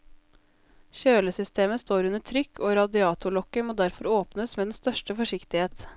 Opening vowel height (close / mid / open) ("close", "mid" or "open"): mid